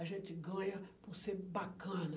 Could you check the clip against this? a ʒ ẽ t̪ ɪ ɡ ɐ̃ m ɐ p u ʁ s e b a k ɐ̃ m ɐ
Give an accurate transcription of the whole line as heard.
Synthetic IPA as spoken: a ʒ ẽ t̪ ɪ ɡ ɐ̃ ɲ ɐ p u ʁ s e b a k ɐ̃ n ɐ